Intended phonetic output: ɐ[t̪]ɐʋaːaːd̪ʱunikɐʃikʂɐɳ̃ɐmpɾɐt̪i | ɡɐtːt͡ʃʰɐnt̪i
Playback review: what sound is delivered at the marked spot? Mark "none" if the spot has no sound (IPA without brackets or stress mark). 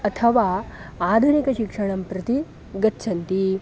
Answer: t̪ʰ